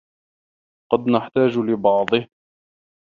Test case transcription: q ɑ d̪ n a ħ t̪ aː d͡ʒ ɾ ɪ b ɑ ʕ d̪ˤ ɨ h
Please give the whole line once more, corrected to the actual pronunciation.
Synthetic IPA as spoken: q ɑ d̪ n a ħ t̪ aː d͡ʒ l ɪ b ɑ ʕ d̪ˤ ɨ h